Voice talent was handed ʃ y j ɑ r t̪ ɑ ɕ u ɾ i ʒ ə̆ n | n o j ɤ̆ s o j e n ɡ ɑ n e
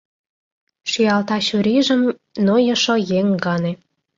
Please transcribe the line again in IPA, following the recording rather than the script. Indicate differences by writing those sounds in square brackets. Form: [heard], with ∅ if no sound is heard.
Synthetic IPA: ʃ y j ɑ [l] t̪ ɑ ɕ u ɾ i ʒ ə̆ [m] | n o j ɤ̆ [ʃ] o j e [ŋ] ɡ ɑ n e